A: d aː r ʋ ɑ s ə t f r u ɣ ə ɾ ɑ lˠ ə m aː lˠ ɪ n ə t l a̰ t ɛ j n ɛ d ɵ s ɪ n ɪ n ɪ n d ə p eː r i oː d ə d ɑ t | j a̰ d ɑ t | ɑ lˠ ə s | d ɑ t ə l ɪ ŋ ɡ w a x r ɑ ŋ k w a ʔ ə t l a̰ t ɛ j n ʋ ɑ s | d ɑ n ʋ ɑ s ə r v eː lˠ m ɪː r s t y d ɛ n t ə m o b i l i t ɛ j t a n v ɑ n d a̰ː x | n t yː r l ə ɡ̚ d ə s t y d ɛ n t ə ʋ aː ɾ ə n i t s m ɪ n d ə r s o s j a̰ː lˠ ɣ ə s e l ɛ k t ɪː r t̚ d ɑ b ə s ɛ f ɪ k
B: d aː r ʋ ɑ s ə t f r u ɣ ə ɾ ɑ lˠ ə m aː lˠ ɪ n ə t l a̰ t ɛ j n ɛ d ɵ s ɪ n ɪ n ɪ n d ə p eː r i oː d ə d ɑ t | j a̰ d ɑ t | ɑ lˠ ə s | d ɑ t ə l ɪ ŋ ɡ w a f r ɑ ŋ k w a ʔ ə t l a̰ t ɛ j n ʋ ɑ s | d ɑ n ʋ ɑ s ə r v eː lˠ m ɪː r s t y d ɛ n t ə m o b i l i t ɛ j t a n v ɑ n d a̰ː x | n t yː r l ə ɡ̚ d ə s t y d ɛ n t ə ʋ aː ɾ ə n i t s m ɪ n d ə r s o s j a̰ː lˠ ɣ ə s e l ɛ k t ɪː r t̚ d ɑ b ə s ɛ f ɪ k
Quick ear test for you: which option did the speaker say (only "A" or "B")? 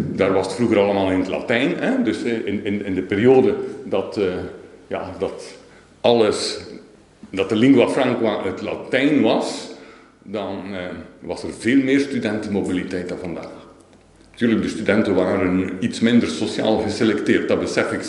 B